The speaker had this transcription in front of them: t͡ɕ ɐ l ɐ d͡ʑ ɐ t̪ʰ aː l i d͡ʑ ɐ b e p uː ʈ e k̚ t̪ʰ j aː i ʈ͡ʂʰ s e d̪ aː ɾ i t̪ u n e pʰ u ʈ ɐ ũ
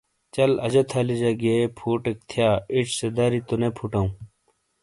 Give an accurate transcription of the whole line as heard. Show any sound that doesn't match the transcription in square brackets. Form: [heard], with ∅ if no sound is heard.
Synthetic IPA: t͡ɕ ɐ l ɐ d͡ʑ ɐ t̪ʰ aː l i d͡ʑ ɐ [ɡ] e [pʰ] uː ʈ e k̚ t̪ʰ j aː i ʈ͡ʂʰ s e d̪ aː ɾ i t̪ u n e pʰ u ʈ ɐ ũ

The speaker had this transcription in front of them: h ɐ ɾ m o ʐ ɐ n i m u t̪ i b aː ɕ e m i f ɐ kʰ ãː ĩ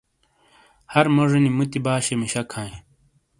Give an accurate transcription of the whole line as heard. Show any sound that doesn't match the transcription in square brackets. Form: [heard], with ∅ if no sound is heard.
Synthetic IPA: h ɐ ɾ m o ʐ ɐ n i m u t̪ i b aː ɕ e m i [ɕ] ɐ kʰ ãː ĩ

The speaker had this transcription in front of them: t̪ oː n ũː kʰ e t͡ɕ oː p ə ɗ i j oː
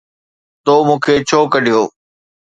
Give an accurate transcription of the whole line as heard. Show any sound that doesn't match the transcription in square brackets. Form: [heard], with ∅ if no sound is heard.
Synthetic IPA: t̪ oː [m] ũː kʰ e [t͡ɕʰ] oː [k] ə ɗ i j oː

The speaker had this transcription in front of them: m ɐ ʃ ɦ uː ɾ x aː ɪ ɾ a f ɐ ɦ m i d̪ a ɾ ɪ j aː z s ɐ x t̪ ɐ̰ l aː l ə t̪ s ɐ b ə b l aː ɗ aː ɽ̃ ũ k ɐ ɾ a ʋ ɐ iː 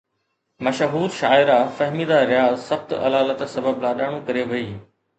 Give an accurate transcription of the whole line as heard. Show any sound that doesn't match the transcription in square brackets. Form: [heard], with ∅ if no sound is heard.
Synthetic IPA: m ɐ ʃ ɦ uː ɾ [ʃ] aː ɪ ɾ a f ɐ ɦ m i d̪ a ɾ ɪ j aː z s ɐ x t̪ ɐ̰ l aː l ə t̪ s ɐ b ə b l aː ɗ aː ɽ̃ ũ k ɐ ɾ [e] ʋ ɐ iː

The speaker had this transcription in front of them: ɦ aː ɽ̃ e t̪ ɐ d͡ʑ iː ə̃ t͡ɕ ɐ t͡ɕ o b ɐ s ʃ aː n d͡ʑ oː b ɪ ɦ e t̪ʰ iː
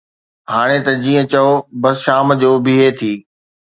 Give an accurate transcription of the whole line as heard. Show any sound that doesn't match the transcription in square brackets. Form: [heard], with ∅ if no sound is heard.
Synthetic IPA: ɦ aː ɽ̃ e t̪ ɐ d͡ʑ iː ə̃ t͡ɕ ɐ [∅] o b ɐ s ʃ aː [m] d͡ʑ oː b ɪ ɦ e t̪ʰ iː

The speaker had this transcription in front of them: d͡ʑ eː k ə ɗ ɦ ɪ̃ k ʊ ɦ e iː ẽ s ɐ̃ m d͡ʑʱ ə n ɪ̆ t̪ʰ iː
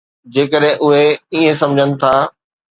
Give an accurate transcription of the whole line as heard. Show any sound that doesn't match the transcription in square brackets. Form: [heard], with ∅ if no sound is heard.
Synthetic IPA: d͡ʑ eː k ə ɗ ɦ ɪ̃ [ʔ] ʊ ɦ e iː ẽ s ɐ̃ m d͡ʑʱ ə n ɪ̆ t̪ʰ [aː]

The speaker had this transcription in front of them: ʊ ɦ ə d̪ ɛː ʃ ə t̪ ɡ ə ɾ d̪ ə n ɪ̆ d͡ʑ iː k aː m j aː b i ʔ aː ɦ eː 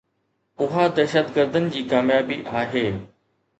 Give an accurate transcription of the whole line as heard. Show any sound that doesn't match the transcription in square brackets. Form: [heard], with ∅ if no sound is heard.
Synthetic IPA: ʊ ɦ [a] d̪ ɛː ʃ ə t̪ ɡ ə ɾ d̪ ə n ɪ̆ d͡ʑ iː k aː m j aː b i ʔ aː ɦ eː

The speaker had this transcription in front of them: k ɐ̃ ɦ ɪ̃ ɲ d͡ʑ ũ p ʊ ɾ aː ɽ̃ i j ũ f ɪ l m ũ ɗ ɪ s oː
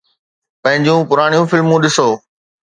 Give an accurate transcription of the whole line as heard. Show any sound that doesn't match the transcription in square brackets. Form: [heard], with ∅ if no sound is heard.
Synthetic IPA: [p] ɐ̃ ɦ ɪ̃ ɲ d͡ʑ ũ p ʊ ɾ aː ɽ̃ i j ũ f ɪ l m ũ ɗ ɪ s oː

